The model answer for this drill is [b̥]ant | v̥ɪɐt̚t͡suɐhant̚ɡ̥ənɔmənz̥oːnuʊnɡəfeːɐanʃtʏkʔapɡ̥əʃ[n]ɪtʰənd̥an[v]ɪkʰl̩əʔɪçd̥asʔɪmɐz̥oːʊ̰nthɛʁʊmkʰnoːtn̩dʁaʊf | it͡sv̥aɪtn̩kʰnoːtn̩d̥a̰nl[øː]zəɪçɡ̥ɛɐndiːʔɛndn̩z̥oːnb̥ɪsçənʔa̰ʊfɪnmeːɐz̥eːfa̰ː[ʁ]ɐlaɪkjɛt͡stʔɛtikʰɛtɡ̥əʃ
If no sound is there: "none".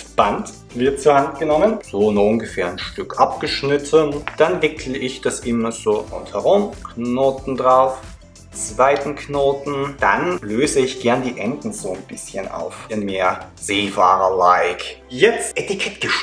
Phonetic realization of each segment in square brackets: b̥, n, v, øː, ʁ

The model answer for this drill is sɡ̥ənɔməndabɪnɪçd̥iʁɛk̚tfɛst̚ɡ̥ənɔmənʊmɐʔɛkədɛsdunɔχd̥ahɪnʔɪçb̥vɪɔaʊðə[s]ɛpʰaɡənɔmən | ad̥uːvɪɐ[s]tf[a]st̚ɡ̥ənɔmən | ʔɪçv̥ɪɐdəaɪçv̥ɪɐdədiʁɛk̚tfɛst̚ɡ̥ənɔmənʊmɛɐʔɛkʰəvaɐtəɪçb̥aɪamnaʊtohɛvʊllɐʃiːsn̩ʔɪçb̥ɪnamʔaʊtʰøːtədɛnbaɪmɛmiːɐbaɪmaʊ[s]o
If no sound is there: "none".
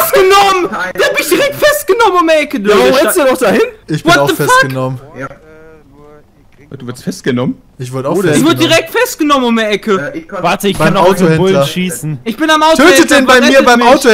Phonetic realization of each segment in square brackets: f, s, ɛ, t

